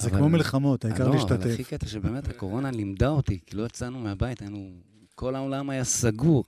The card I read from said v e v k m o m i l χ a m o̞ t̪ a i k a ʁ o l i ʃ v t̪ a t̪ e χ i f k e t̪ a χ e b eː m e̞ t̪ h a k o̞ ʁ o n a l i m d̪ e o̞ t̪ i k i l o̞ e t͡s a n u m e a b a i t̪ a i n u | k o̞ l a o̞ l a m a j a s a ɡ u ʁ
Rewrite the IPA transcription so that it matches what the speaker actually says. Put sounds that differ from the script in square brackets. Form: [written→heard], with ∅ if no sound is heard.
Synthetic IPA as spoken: [v→z] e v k m o m i l χ a m o̞ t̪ a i k a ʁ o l i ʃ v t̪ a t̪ e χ i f k e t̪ a [χ→ʃ] e b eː m e̞ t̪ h a k o̞ ʁ o n a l i m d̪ [e→a] o̞ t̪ i k i l o̞ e t͡s a n u m e a b a i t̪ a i n u | k o̞ l a o̞ l a m a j a s a ɡ u ʁ